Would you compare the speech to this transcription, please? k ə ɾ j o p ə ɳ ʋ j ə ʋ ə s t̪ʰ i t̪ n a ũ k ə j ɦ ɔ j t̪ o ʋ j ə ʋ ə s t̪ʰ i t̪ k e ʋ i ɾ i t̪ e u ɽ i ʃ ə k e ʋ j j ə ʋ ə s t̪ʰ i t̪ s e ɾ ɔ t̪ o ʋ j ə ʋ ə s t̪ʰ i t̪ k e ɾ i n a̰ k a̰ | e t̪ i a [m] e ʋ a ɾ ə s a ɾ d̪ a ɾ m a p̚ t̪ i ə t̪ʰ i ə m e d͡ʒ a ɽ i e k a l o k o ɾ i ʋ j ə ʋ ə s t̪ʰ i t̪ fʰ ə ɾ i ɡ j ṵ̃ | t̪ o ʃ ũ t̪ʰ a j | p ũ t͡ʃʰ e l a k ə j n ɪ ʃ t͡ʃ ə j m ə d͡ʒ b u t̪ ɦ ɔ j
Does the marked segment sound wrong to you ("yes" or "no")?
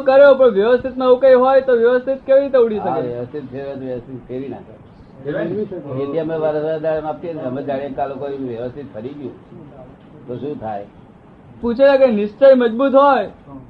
no